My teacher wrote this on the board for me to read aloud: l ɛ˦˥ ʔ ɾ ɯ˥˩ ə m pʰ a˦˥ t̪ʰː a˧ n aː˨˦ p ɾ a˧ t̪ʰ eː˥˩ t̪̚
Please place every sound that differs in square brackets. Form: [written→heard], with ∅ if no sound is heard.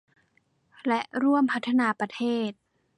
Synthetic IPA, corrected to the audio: l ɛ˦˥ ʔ ɾ [ɯ˥˩→u˥˩] ə m pʰ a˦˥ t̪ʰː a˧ n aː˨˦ p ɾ a˧ t̪ʰ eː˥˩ t̪̚